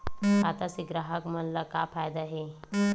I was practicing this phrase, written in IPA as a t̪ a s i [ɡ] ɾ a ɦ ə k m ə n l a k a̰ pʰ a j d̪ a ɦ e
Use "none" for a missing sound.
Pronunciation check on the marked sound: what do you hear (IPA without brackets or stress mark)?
ɡ